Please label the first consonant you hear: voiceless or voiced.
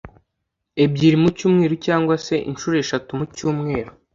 voiced